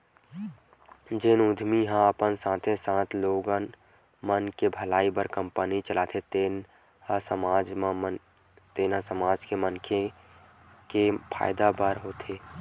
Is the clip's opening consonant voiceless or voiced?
voiced